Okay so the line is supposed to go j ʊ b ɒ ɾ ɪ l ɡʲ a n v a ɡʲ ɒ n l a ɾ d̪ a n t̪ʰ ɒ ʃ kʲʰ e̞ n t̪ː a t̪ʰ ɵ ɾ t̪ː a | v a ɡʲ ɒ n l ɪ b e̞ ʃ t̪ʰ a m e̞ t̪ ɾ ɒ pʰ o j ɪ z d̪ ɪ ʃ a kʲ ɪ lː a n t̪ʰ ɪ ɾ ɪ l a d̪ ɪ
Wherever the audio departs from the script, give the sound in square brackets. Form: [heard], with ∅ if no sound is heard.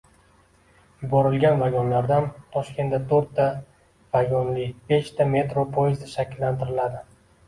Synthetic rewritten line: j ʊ b ɒ ɾ ɪ l ɡʲ a n v a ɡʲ ɒ n l a ɾ d̪ a n t̪ʰ ɒ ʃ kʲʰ e̞ n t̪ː a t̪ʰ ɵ ɾ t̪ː a | v a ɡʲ ɒ n l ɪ b e̞ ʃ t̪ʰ a m e̞ t̪ ɾ [o] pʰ o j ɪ z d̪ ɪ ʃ a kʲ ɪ lː a n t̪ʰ ɪ ɾ ɪ l a d̪ ɪ